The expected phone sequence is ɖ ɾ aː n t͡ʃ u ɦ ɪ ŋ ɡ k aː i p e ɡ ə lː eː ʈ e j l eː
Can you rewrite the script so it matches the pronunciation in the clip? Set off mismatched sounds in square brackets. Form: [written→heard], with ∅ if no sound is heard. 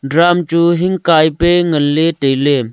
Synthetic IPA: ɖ ɾ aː [n→m] t͡ʃ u ɦ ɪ ŋ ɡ k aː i p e [ɡ→ŋ] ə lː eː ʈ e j l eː